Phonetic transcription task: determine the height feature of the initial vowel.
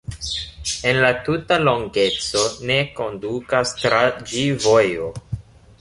mid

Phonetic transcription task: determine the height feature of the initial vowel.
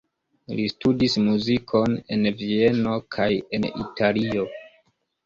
high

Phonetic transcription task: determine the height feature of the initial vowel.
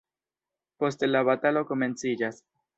mid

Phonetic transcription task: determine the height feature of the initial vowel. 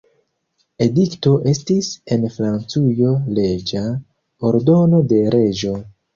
mid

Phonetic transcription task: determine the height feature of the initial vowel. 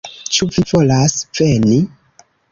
high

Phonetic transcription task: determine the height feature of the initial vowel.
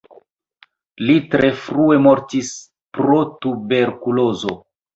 high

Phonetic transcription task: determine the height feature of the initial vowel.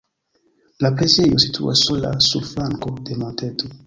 low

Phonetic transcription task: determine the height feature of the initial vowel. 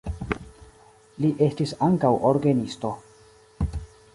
high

